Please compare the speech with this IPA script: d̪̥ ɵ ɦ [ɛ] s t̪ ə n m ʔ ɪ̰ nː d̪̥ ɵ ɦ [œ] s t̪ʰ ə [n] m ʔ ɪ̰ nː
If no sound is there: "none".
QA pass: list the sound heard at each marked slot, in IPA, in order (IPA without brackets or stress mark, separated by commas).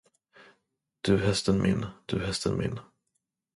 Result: ɛ, ɛ, n